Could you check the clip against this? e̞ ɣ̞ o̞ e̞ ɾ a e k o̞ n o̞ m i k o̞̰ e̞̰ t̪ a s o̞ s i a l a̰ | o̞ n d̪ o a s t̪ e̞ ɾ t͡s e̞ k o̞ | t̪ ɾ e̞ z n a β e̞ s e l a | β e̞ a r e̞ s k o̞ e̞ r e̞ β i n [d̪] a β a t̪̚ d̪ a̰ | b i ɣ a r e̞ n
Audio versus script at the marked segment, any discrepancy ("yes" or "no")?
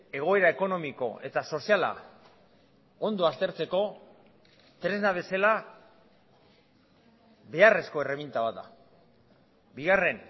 yes